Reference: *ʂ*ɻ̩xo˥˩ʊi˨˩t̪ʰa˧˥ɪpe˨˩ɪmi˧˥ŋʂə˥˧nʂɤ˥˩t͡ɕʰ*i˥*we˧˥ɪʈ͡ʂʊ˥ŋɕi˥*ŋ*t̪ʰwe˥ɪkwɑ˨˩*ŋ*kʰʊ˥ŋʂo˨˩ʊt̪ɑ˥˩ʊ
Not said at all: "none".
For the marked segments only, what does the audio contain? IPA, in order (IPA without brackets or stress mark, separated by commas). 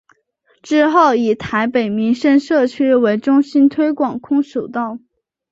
ʈ͡ʂ, y˥, n, ŋ